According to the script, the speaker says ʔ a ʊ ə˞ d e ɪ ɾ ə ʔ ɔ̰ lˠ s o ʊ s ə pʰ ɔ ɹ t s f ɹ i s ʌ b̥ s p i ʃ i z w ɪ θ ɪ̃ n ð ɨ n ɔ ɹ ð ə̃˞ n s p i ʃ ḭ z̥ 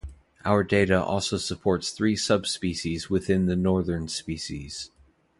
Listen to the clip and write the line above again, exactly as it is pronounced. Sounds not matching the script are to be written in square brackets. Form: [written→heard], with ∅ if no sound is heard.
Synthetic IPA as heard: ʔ a ʊ ə˞ d e ɪ ɾ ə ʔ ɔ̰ lˠ s o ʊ s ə pʰ ɔ ɹ t s [f→θ] ɹ i s ʌ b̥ s p i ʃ i z w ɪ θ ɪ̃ n ð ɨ n ɔ ɹ ð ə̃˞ n s p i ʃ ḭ z̥